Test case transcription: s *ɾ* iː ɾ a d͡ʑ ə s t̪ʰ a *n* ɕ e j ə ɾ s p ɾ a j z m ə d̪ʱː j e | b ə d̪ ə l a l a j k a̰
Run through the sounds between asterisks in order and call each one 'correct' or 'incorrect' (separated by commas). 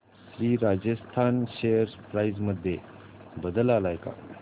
correct, correct